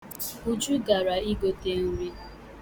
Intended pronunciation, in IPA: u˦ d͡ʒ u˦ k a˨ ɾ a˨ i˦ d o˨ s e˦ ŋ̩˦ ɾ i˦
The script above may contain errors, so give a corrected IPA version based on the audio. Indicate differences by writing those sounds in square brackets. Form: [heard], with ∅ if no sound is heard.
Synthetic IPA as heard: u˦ d͡ʒ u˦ [ɡ] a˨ ɾ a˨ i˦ [ɡ] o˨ [t] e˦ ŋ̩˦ ɾ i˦